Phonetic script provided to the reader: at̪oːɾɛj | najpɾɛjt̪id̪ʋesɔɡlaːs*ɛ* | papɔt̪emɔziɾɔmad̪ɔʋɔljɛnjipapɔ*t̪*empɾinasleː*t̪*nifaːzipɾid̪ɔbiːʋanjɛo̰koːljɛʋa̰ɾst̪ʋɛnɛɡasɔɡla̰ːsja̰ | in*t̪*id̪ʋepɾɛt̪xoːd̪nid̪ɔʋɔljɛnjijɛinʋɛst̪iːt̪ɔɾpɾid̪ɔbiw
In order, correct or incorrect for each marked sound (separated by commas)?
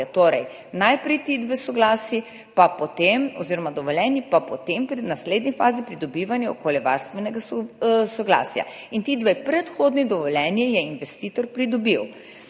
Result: incorrect, correct, incorrect, correct